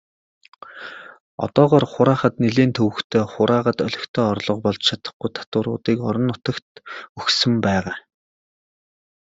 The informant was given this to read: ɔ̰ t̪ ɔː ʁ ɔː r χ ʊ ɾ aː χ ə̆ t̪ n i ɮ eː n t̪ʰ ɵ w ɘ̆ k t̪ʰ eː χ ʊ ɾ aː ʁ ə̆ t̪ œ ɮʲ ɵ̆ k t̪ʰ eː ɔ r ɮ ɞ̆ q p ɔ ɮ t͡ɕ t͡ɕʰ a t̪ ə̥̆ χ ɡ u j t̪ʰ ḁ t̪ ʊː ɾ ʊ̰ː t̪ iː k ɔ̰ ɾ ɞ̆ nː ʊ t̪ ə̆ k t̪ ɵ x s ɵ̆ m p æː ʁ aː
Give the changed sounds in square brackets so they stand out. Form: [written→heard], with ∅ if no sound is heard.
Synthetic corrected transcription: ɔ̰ t̪ ɔː ʁ ɔː r χ ʊ ɾ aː χ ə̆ t̪ n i ɮ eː n t̪ʰ ɵ w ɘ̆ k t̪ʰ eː χ ʊ ɾ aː ʁ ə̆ t̪ œ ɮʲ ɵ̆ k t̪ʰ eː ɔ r ɮ ɞ̆ q p ɔ ɮ t͡ɕ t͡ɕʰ a t̪ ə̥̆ χ ɡ u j t̪ʰ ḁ t̪ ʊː ɾ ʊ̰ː t̪ iː k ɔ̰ ɾ ɞ̆ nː ʊ t̪ ə̆ k t̪ ɵ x s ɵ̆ m p æː ʁ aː